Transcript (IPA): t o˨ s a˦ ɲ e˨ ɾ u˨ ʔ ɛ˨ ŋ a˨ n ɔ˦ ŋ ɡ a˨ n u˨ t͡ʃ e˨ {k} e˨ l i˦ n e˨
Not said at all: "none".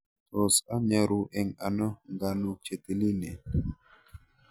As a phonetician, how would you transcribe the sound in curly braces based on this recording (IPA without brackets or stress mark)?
t